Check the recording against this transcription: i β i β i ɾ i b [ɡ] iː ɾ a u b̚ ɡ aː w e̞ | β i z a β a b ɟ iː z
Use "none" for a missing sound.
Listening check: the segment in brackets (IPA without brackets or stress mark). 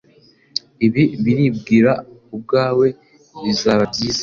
ɡ